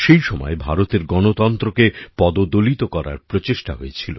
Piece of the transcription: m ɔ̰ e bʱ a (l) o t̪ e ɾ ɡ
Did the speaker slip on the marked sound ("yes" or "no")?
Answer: yes